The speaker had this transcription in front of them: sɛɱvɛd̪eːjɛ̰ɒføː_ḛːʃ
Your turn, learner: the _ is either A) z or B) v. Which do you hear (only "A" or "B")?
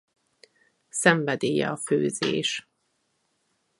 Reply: A